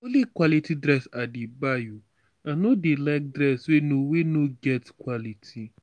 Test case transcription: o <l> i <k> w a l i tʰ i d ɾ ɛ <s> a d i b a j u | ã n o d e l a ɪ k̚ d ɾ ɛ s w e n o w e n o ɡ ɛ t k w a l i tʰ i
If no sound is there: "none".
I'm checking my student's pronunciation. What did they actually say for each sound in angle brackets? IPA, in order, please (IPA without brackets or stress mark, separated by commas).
l, k, s